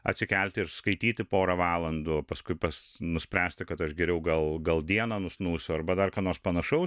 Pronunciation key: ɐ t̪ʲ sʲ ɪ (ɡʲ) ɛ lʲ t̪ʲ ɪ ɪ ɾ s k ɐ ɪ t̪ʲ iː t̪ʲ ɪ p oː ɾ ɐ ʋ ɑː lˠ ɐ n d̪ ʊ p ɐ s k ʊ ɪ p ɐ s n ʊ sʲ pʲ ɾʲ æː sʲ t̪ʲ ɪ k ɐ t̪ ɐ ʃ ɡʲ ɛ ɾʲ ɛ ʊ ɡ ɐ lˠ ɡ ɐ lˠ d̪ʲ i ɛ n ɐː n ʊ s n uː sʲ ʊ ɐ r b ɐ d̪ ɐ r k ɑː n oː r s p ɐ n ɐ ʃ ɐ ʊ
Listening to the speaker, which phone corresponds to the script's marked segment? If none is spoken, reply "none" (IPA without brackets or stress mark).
kʲ